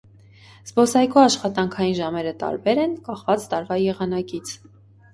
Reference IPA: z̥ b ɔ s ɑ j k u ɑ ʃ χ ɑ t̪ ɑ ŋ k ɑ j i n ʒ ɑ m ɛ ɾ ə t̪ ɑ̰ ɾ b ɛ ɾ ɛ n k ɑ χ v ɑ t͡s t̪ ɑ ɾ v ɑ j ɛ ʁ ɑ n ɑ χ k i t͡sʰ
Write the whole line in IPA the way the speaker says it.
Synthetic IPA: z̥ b ɔ s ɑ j k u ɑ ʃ χ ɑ t̪ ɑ ŋ kʰ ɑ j i n ʒ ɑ m ɛ ɾ ə t̪ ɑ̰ ɾ b ɛ ɾ ɛ n k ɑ χ v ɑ t͡s t̪ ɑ ɾ v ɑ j ɛ ʁ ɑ n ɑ k i t͡sʰ